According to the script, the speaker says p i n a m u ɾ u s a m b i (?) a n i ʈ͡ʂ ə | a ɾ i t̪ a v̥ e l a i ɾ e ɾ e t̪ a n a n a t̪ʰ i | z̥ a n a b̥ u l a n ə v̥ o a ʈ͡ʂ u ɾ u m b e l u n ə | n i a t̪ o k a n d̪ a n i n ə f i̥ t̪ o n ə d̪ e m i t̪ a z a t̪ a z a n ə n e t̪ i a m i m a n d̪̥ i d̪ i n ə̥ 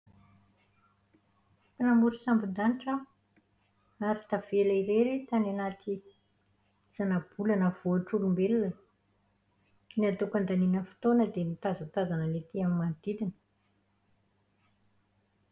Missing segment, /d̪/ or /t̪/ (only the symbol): d̪